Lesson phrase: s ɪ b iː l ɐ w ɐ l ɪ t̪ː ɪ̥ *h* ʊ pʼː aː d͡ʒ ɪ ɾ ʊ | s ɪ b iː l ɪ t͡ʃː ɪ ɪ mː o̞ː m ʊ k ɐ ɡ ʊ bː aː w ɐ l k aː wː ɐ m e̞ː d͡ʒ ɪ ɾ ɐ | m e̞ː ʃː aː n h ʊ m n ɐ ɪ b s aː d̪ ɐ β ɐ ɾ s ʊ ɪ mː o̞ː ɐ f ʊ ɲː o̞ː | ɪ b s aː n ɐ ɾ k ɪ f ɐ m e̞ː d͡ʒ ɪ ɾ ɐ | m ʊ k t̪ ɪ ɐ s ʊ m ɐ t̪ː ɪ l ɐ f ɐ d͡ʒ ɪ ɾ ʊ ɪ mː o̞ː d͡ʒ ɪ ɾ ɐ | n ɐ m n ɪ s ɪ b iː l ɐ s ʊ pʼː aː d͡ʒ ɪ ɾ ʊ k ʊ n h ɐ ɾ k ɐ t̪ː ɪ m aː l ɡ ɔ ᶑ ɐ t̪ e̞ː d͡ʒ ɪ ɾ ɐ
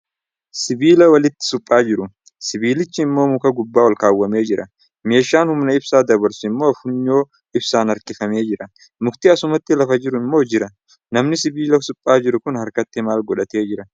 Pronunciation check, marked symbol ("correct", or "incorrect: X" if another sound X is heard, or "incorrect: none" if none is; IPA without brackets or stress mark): incorrect: s